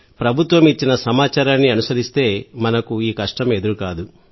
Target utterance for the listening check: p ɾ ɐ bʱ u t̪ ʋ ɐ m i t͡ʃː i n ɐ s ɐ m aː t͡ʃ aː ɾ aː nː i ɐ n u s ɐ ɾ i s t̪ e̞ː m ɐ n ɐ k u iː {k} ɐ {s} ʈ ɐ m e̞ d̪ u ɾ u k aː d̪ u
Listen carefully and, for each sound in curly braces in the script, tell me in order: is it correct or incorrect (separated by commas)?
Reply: correct, incorrect